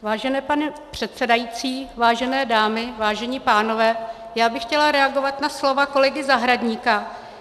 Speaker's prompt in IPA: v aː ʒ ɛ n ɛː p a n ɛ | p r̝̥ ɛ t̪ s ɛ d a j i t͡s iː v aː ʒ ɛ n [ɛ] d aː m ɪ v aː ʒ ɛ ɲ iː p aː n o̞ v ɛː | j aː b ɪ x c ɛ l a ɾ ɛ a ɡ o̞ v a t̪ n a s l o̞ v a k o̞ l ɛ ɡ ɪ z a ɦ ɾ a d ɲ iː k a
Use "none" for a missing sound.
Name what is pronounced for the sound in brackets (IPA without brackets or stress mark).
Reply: ɛː